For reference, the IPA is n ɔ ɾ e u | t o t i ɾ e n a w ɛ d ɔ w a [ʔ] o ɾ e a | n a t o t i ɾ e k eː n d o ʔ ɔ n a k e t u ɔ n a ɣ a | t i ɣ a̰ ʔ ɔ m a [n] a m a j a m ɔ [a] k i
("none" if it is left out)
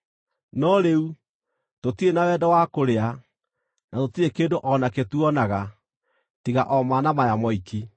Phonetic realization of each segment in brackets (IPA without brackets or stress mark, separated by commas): k, n, i